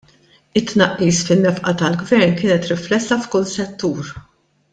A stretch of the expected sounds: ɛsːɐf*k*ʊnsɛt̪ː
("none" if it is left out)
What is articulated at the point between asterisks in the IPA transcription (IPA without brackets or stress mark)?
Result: k